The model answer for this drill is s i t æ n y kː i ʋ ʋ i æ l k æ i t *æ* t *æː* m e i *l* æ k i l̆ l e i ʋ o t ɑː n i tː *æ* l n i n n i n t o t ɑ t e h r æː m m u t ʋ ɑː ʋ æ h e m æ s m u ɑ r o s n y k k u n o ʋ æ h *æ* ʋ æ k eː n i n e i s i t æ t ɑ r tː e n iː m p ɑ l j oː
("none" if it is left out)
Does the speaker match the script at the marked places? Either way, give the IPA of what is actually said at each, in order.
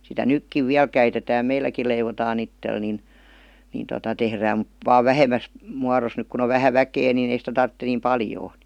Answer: e, æː, lː, e, æ

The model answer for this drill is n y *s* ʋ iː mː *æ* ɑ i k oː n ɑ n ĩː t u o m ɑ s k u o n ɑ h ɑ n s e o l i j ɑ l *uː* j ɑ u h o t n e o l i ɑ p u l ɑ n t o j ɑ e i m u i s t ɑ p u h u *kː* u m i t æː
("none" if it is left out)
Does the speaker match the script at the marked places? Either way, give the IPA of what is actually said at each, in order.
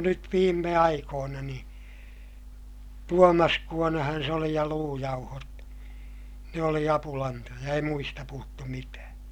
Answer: t, e, uː, tː

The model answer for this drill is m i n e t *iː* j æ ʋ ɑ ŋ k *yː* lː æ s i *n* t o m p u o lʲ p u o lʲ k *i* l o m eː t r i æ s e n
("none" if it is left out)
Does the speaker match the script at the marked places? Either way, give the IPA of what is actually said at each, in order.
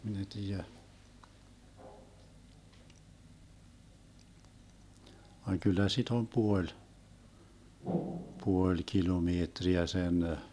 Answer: iː, y, none, i

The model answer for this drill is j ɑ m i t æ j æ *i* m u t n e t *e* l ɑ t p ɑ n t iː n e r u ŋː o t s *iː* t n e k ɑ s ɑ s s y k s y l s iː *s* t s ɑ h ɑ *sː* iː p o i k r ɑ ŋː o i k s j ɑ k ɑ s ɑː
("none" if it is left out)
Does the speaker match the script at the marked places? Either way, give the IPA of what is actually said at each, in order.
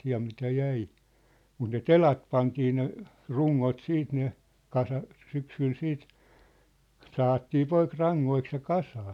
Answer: i, e, iː, none, tː

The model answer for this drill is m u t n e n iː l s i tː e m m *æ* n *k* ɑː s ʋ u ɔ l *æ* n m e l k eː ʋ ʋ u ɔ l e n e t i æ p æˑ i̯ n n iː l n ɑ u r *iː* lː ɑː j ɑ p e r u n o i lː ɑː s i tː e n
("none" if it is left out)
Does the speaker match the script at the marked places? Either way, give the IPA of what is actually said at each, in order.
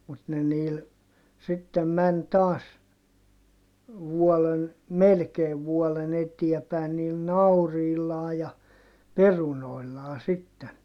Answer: æ, t, e, iː

